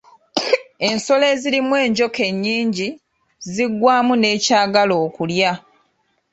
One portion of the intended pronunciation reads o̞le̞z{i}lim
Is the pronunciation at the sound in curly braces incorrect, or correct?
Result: correct